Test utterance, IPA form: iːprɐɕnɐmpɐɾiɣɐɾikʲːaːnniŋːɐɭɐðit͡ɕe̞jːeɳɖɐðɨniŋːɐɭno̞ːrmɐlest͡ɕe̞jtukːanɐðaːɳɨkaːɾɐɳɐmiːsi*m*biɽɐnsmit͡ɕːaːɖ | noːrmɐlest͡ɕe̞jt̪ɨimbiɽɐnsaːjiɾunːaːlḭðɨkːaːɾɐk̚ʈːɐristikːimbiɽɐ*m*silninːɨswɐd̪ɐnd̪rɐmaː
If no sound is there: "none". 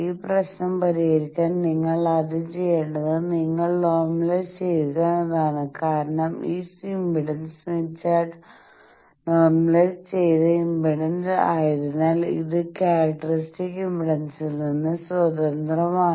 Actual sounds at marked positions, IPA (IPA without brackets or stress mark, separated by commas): m, n